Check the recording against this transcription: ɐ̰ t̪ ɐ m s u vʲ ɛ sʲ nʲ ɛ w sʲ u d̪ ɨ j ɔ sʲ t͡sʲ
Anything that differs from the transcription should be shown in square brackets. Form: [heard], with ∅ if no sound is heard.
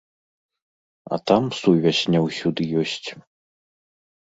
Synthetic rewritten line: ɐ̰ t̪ [a] m s u vʲ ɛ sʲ nʲ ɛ w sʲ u d̪ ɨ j ɔ sʲ t͡sʲ